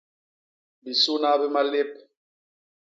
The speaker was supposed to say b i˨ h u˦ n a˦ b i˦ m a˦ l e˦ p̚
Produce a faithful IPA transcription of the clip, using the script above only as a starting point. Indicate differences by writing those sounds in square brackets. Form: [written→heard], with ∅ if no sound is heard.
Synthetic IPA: b i˨ [h→s] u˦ n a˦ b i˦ m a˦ l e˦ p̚